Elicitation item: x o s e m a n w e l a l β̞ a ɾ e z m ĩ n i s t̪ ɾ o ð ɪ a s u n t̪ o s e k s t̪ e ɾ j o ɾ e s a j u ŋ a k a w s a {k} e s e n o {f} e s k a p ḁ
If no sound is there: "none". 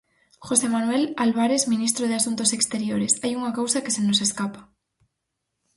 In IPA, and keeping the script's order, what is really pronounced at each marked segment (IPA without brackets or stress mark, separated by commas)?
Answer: k, s